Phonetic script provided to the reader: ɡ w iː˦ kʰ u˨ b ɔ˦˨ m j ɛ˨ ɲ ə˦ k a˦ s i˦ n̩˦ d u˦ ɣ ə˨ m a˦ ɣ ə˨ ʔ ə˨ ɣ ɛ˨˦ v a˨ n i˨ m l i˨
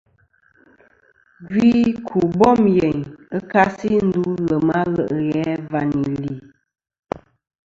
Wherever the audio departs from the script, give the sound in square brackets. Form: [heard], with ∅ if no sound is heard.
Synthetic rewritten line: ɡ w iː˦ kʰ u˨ b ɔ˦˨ m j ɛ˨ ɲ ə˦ k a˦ s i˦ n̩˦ d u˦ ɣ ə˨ m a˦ ɣ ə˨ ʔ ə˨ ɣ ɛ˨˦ v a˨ n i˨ [∅] l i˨